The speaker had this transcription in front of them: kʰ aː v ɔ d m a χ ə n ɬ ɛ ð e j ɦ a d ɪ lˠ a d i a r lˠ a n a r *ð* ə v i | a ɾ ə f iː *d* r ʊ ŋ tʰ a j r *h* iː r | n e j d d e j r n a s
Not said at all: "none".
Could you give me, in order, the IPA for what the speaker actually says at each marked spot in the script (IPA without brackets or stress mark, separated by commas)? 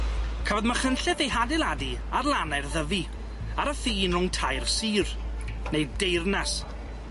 ð, n, s